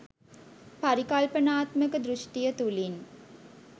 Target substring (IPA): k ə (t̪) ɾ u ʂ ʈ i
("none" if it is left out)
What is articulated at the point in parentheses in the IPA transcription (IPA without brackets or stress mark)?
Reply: d̪